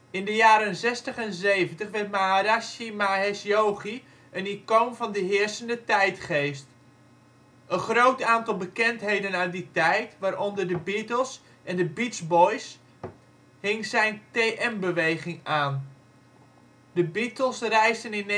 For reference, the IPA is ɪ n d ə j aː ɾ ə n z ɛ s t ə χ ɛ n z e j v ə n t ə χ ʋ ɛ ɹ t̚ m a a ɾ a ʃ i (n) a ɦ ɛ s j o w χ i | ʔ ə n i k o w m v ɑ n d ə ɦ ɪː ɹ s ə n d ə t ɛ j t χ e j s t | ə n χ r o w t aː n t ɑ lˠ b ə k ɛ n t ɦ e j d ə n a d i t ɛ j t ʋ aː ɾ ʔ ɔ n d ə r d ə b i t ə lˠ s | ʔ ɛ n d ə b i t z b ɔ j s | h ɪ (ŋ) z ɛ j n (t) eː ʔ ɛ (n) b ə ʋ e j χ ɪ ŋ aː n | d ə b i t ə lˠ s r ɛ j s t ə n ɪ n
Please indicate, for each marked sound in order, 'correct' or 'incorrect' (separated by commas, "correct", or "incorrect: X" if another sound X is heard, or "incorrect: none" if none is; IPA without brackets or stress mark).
incorrect: m, correct, correct, incorrect: m